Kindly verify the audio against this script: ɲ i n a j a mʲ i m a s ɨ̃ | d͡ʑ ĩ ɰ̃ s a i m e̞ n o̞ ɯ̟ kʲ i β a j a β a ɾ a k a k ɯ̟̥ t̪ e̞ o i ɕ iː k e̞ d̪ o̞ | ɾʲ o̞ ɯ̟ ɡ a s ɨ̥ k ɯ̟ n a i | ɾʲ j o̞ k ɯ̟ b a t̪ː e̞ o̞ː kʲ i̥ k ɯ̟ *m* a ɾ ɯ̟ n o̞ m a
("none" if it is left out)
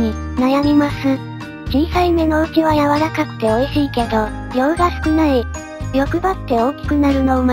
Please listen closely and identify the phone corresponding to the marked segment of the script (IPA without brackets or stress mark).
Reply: n